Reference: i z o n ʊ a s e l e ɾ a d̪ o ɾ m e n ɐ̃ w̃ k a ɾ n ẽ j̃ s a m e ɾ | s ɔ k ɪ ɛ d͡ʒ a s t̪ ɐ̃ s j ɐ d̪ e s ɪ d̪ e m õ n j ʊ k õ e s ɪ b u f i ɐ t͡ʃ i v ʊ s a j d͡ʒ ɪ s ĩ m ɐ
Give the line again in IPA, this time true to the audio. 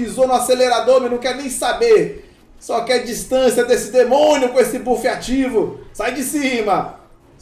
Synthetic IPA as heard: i z o n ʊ a s e l e ɾ a d̪ o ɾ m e n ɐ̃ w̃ k ɛ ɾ n ẽ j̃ s a b e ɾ | s ɔ k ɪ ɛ d͡ʒ i s t̪ ɐ̃ s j ɐ d̪ e s ɪ d̪ e m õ n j ʊ k õ e s ɪ b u f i a t͡ʃ i v ʊ s a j d͡ʒ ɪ s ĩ m ɐ